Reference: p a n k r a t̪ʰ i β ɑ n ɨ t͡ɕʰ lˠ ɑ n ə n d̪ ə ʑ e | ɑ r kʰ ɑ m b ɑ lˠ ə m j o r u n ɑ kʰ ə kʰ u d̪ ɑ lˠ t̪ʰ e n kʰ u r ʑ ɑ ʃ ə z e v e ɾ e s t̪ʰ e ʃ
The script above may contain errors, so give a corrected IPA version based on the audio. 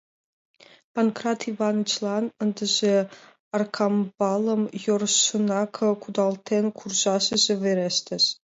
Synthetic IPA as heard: p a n k r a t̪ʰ i v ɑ n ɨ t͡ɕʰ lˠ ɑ n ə n d̪ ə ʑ e | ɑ r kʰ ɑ m b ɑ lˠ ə m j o r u n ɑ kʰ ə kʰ u d̪ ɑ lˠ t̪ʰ e n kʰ u r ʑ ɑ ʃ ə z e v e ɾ e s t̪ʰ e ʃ